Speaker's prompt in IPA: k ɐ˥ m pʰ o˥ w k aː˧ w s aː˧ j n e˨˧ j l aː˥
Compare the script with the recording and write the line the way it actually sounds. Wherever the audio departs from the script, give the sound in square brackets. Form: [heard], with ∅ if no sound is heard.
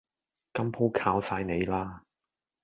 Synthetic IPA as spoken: k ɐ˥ m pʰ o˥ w [kʰ] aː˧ w s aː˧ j n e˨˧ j l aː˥

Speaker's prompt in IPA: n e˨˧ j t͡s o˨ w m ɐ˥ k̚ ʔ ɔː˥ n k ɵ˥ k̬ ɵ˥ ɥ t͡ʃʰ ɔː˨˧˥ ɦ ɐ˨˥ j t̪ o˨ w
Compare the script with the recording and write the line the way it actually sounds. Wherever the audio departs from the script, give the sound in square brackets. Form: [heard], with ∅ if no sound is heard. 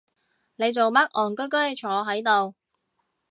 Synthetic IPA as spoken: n e˨˧ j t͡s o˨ w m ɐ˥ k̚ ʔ [ɔː˨˩] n k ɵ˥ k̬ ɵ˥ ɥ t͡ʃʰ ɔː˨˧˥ ɦ ɐ˨˥ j t̪ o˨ w

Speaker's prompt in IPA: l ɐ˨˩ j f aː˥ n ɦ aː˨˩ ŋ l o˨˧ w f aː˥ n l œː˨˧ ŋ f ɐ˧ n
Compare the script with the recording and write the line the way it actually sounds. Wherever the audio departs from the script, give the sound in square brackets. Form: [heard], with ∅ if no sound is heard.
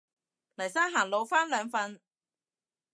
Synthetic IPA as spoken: l ɐ˨˩ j [s] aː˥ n ɦ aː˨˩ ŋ l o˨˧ w f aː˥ n l œː˨˧ ŋ f ɐ˧ n

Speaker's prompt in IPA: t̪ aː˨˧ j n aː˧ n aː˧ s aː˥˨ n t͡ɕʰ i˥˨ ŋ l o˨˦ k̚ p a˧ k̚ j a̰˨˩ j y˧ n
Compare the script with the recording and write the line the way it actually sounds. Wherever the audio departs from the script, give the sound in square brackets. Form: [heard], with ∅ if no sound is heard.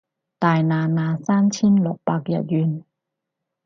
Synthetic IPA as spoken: t̪ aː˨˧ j n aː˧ n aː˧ s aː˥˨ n t͡ɕʰ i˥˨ [n] l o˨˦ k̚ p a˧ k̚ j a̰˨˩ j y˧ n

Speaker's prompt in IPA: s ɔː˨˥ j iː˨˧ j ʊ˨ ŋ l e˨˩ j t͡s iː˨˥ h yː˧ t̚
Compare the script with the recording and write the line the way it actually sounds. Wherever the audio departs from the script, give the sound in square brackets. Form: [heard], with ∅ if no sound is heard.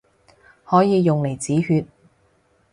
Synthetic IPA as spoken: [h] ɔː˨˥ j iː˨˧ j ʊ˨ ŋ l e˨˩ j t͡s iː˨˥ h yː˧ t̚

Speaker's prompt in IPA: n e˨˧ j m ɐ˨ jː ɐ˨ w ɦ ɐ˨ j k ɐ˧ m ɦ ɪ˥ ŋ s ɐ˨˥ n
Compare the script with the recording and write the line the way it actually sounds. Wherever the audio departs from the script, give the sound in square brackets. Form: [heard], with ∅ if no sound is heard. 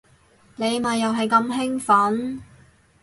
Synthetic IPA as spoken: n e˨˧ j m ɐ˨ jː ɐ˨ w ɦ ɐ˨ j k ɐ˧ m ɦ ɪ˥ ŋ [f] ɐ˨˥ n

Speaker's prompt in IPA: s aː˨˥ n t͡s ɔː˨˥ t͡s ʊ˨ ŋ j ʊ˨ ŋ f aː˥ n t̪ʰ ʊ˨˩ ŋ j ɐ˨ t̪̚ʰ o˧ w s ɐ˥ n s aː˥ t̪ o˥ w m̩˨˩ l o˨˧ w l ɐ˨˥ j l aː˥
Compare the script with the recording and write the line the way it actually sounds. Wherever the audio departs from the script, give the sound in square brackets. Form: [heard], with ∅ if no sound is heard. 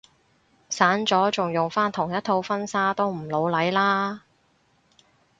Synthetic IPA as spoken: s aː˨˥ n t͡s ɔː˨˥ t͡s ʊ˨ ŋ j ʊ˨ ŋ f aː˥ n t̪ʰ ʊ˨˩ ŋ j [ɐ˥] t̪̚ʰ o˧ w [f] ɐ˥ n s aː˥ t̪ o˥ w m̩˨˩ l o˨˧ w l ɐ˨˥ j l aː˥

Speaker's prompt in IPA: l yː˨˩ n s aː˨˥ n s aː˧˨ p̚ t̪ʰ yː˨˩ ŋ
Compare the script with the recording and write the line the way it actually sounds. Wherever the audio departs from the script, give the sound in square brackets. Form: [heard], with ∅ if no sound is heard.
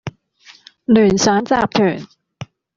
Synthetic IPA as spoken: l yː˨˩ n s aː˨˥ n [t͡s] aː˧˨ p̚ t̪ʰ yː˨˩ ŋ

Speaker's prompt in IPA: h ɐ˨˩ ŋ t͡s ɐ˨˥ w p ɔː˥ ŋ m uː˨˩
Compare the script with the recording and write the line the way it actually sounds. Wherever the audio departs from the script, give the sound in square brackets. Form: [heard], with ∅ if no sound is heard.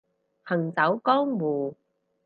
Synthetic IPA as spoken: h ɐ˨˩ ŋ t͡s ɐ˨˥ w [k] ɔː˥ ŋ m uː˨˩

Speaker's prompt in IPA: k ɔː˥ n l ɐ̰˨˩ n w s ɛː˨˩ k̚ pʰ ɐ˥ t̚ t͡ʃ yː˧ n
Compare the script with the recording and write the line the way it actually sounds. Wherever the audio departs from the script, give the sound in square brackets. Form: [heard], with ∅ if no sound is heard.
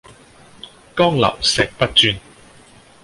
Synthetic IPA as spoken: k ɔː˥ [ŋ] l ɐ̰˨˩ [∅] w s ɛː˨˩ k̚ [p] ɐ˥ t̚ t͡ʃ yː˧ n

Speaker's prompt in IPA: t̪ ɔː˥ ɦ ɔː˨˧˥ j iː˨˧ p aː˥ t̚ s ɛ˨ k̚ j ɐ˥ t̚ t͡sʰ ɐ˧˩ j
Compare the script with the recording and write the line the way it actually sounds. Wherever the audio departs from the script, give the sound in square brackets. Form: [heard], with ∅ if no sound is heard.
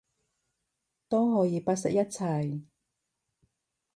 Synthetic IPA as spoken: t̪ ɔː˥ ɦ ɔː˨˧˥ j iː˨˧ p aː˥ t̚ s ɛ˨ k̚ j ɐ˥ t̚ t͡sʰ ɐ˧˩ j

